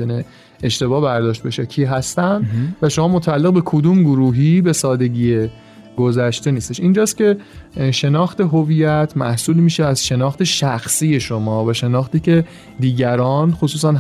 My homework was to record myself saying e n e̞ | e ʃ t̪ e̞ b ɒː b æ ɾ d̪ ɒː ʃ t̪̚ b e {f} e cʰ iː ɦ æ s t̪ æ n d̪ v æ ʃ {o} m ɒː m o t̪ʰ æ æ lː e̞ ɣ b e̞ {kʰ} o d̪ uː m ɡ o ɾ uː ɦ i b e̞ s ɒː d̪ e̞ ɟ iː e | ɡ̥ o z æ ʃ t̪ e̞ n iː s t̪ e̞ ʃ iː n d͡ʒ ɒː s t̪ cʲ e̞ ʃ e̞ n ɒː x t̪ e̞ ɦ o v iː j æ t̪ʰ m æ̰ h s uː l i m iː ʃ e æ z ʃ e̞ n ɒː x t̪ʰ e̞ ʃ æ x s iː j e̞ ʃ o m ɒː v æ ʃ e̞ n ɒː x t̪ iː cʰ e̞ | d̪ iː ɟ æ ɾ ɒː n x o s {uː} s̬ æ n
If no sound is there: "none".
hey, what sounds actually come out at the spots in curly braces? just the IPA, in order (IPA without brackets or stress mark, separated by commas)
ʃ, o, kʰ, uː